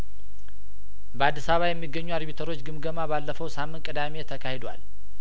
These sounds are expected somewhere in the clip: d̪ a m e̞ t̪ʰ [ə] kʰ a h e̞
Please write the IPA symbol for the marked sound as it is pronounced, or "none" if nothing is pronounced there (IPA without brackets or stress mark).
ə